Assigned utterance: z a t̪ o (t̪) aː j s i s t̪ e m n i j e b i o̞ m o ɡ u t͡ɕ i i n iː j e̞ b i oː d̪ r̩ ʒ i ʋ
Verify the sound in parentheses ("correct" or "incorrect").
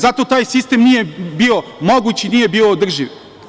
correct